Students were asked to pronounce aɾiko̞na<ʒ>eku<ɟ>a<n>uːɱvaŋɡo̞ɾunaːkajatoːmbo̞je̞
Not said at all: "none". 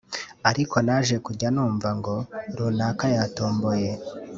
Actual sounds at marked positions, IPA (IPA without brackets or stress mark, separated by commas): ʒ, ɟ, n